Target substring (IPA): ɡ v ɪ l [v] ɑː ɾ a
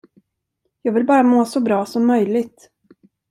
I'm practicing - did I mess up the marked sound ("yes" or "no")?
yes